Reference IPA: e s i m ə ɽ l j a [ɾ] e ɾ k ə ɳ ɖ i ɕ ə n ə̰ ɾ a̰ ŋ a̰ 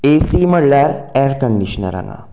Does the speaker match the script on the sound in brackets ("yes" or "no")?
yes